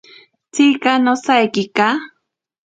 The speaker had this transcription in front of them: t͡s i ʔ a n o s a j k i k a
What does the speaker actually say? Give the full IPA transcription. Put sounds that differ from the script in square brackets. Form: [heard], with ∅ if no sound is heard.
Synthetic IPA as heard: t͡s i [k] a n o s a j k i k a